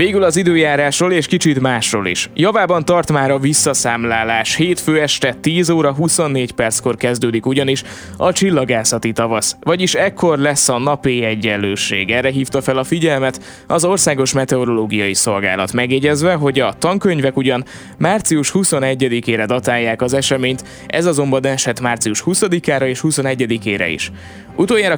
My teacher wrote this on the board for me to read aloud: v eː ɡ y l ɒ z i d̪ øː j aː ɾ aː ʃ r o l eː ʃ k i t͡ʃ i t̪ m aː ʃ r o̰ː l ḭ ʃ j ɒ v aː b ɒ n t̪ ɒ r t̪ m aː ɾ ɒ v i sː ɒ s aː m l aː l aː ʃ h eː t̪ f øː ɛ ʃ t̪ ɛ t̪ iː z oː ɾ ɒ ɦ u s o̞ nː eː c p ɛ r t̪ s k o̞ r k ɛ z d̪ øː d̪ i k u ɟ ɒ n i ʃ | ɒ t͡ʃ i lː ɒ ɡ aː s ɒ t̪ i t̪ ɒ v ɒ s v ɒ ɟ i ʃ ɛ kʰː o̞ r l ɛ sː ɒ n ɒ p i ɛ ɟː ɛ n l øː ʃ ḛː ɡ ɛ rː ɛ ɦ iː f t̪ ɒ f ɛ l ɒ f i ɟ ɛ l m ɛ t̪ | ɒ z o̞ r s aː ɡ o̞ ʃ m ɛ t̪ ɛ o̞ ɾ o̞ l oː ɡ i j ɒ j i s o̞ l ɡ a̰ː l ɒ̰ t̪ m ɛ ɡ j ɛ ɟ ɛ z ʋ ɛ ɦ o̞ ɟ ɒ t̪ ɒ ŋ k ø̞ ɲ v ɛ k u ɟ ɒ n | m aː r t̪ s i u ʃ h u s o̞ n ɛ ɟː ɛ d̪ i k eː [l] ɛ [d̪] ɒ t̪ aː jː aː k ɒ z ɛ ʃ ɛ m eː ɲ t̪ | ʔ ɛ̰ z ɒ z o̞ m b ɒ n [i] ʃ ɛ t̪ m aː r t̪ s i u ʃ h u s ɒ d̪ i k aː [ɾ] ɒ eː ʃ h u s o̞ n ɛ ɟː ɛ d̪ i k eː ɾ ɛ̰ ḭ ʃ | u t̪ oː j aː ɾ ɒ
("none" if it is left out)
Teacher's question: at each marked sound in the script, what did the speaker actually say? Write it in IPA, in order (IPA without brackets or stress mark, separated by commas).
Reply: ɾ, d̪, ɛ, ɾ